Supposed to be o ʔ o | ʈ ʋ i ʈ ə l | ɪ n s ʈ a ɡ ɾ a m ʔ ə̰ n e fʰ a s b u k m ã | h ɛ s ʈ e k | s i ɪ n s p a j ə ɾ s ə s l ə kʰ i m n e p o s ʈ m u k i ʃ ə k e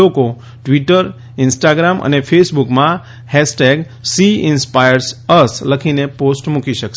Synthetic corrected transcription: o k o | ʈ ʋ i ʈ ə ɾ | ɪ n s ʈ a ɡ ɾ a m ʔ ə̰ n e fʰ e s b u k m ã | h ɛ s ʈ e ɡ | s i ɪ n s p a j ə ɾ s ə s l ə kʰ i n e p o s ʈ m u k i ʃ ə k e

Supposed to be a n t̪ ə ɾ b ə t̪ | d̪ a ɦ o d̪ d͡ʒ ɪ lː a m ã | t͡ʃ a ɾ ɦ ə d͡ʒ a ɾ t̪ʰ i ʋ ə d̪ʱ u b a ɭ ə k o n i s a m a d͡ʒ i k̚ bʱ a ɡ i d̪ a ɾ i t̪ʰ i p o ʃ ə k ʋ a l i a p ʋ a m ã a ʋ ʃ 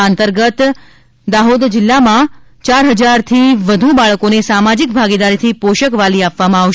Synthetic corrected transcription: a n t̪ ə ɾ ɡ ə t̪ | d̪ a ɦ o d̪ d͡ʒ ɪ lː a m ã | t͡ʃ a ɾ ɦ ə d͡ʒ a ɾ t̪ʰ i ʋ ə d̪ʱ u b a ɭ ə k o n e s a m a d͡ʒ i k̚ bʱ a ɡ i d̪ a ɾ i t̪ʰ i p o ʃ ə k ʋ a l i a p ʋ a m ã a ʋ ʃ

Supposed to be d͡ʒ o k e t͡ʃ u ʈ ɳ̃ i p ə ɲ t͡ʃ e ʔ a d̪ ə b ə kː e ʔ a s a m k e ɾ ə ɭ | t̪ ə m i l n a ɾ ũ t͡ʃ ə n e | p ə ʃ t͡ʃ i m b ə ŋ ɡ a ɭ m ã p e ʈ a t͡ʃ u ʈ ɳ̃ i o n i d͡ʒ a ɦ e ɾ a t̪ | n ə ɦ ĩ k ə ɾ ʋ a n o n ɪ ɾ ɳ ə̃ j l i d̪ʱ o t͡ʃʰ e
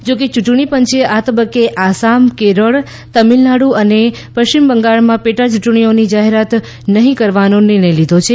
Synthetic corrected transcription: d͡ʒ o k e t͡ʃ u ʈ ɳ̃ i p ə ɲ t͡ʃ e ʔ a t̪ ə b ə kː e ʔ a s a m k e ɾ ə ɭ | t̪ ə m i l n a ɽ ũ ə n e | p ə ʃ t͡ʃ i m b ə ŋ ɡ a ɭ m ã p e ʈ a t͡ʃ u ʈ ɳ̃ i o n i d͡ʒ a ɦ e ɾ a t̪ | n ə ɦ ĩ k ə ɾ ʋ a n o n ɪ ɾ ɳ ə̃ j l i d̪ʱ o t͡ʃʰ e

